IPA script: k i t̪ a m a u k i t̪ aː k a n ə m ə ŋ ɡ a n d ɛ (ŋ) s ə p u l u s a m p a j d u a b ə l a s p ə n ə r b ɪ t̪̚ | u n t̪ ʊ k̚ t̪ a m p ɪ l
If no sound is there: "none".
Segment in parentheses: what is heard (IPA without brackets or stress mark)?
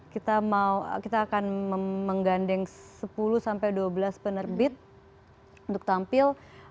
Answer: ŋ